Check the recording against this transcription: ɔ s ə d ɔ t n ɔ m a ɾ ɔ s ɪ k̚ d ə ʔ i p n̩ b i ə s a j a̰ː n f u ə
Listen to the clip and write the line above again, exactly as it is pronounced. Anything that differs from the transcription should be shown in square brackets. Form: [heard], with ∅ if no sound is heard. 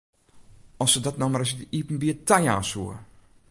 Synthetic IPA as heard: ɔ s ə d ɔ t n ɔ m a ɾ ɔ s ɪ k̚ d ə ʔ i p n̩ b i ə [t] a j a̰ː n [s] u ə